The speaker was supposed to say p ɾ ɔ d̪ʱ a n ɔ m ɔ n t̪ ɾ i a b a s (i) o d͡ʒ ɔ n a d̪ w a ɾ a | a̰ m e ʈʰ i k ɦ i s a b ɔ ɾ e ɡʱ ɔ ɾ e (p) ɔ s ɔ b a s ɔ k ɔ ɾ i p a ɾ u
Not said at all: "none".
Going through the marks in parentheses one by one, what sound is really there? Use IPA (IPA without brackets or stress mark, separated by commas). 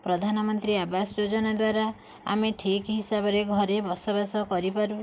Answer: j, b